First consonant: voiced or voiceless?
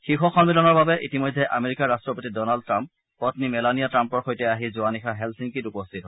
voiceless